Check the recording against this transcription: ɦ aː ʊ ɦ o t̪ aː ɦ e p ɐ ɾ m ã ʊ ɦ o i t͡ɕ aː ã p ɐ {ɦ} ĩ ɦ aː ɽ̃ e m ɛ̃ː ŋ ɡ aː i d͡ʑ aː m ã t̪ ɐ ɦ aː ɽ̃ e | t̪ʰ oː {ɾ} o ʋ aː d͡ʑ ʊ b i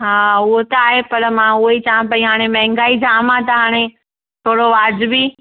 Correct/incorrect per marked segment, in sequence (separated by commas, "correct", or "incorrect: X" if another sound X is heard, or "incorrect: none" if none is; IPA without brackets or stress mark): incorrect: none, incorrect: ɽ